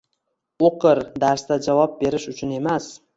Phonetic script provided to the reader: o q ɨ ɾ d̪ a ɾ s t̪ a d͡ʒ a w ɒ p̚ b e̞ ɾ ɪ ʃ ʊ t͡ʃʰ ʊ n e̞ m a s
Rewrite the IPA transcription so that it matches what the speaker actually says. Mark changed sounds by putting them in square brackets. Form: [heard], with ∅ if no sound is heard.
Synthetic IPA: o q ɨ ɾ d̪ a ɾ s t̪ a d͡ʒ a [v] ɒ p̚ b e̞ ɾ ɪ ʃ ʊ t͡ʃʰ ʊ n e̞ m a s